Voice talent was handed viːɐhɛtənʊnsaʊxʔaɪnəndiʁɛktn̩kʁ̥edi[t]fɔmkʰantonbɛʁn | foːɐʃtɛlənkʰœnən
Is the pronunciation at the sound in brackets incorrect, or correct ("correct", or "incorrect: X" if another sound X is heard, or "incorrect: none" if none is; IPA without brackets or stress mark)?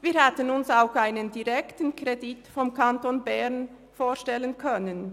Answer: correct